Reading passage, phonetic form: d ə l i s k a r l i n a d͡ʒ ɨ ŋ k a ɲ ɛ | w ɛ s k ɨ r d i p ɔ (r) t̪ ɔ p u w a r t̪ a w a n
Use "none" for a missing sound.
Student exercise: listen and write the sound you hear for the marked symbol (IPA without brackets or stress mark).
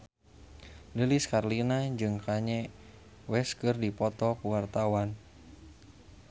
none